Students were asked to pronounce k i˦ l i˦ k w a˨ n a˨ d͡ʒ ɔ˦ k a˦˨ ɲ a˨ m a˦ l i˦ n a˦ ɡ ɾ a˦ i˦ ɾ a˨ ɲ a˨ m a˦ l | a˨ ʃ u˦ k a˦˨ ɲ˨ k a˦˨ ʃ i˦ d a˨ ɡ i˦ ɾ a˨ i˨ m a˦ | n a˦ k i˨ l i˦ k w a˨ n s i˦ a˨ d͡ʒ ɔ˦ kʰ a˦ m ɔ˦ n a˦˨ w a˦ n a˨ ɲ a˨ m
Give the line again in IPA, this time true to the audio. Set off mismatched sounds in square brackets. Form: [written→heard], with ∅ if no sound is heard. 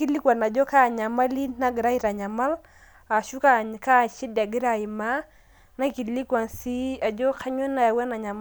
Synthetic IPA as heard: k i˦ l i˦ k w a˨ n a˨ d͡ʒ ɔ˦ k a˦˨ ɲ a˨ m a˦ l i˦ n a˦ ɡ ɾ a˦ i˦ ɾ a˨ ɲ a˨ m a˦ l | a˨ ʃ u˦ k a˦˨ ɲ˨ k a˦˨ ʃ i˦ d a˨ ɡ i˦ ɾ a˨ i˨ m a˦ | n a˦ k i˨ l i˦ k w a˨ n s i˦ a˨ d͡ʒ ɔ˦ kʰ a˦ [m→ɲ] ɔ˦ n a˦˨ w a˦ n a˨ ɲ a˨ m

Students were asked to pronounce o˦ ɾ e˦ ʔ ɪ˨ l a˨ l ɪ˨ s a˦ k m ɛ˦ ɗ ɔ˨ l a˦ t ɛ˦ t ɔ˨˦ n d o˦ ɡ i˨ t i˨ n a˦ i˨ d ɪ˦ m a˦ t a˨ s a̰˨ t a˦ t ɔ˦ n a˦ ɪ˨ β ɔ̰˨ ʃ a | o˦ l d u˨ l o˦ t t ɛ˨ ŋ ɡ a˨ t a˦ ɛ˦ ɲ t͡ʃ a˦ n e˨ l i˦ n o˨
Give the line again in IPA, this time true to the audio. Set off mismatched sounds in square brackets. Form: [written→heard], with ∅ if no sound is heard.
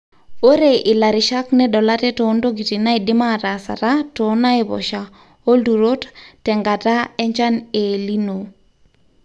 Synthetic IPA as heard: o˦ ɾ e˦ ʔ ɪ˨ l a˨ [l→ɾ] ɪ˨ [s→ʃ] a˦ k [m→n] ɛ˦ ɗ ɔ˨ l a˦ t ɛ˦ t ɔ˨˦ n d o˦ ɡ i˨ t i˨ n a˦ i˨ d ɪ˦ m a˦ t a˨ s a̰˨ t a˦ t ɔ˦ n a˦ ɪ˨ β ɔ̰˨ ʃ a | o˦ l d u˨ [l→ɾ] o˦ t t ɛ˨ ŋ ɡ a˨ t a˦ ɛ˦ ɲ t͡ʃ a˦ n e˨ l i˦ n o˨

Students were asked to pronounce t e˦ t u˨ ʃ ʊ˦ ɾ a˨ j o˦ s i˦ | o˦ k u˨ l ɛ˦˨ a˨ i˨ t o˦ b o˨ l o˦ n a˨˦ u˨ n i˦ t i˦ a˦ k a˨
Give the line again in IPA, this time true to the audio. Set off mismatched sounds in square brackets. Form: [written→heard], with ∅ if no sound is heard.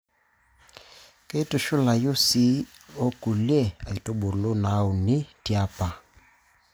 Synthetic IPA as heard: [t→k] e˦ t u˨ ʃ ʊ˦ [ɾ→l] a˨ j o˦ s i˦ | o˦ k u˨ l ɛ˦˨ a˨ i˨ t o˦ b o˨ l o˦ n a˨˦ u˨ n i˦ t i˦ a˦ [k→p] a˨

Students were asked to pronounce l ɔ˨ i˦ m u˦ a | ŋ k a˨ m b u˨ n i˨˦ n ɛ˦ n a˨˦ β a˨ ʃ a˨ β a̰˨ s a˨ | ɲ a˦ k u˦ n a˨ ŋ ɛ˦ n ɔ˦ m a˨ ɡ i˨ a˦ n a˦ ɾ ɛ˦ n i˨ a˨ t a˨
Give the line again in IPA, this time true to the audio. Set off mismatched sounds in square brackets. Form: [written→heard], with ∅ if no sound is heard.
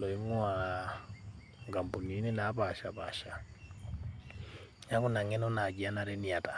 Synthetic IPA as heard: l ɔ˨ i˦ m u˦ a | ŋ [k→ɡ] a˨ m b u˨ n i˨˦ n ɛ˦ n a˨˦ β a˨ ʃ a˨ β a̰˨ [s→ʃ] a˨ | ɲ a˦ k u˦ n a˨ ŋ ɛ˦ n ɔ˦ [m→n] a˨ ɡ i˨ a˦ n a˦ ɾ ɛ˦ n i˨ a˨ t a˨

